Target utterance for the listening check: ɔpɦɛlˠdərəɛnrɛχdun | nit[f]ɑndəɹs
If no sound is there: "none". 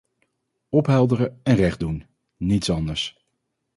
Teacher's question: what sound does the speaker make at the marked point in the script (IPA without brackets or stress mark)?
s